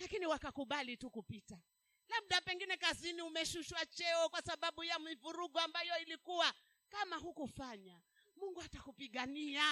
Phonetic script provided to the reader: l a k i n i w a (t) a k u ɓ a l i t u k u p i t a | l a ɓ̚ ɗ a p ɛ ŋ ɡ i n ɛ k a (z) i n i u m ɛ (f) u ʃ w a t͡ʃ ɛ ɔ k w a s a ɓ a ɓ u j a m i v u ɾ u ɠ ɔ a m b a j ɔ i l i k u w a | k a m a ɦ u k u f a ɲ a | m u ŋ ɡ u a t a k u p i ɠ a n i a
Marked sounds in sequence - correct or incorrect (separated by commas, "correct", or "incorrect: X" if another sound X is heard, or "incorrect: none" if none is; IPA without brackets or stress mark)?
incorrect: k, correct, incorrect: ʃ